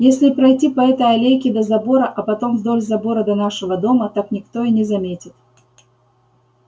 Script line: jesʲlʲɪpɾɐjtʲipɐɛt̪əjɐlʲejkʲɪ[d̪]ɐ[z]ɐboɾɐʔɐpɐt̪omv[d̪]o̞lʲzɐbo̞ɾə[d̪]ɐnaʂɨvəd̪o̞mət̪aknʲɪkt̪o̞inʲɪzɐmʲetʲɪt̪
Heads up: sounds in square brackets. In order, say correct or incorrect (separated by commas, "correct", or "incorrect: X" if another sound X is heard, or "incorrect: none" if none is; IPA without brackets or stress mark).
correct, correct, correct, correct